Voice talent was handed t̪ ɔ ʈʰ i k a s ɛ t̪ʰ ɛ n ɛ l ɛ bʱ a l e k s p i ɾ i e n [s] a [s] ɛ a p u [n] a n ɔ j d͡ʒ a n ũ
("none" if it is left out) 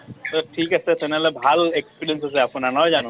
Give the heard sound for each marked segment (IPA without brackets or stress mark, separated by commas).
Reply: s, s, n